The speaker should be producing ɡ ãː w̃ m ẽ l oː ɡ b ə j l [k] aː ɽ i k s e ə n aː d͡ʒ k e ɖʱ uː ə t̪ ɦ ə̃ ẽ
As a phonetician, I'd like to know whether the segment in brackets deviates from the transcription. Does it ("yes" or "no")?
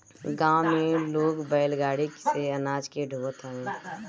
yes